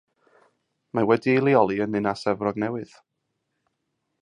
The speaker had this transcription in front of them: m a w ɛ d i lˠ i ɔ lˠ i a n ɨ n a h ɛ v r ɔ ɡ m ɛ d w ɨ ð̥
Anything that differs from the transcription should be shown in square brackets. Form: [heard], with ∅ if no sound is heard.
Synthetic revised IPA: m a w ɛ d i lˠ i ɔ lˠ i [ə] n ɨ n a [s] ɛ v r ɔ ɡ [n] ɛ [∅] w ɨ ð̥